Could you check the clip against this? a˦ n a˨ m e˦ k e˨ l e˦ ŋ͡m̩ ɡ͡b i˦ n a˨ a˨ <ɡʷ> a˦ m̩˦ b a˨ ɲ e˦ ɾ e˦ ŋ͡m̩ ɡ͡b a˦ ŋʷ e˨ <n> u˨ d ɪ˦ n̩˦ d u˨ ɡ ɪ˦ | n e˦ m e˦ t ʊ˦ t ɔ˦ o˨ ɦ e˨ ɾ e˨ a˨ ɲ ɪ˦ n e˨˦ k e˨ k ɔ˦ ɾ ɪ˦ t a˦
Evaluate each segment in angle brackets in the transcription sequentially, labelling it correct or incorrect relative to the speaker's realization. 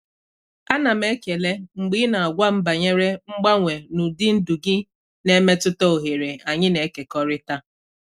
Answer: correct, correct

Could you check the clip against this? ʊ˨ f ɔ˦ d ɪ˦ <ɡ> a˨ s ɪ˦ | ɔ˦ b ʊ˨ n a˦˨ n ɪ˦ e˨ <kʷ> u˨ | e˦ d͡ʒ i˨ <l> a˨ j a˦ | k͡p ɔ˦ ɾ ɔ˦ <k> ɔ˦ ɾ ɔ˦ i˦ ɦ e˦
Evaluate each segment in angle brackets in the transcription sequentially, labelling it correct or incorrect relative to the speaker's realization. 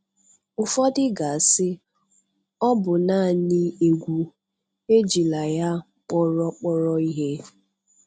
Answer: correct, incorrect, correct, incorrect

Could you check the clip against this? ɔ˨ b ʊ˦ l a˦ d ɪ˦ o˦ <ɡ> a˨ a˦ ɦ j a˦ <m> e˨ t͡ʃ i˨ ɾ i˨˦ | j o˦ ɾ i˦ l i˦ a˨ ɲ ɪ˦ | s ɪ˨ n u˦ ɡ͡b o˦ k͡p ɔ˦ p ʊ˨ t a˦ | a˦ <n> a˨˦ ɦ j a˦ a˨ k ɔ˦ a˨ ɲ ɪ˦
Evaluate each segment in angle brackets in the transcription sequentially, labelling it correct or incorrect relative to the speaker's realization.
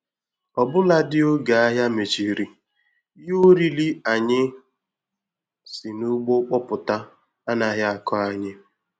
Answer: correct, correct, correct

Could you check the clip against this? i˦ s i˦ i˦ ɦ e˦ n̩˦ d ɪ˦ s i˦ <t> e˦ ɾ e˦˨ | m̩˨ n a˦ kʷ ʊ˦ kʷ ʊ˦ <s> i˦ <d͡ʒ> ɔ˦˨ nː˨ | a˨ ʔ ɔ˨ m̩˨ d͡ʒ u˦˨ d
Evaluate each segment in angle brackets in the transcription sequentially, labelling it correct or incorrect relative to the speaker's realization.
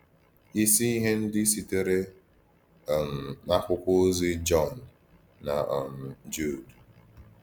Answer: correct, incorrect, correct

